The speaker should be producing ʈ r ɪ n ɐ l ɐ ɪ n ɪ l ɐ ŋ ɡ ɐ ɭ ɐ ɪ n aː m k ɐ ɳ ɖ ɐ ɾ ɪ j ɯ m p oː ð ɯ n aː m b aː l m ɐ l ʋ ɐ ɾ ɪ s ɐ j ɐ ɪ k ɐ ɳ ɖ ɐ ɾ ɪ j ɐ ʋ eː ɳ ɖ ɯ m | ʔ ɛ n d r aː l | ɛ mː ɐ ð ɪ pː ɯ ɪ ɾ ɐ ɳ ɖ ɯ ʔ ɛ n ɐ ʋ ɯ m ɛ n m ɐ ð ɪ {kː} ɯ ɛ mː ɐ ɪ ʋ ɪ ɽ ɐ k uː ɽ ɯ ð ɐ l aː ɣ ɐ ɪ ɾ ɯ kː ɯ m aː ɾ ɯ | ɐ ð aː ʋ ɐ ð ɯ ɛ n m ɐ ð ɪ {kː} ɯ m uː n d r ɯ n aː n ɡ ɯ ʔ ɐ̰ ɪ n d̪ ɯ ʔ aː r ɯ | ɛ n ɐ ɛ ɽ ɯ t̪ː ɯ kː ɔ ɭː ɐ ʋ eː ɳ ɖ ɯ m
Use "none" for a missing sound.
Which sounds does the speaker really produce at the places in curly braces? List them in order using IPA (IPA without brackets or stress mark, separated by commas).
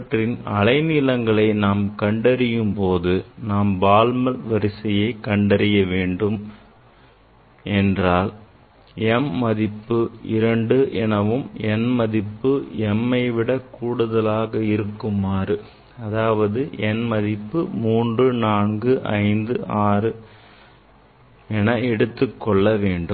pː, pː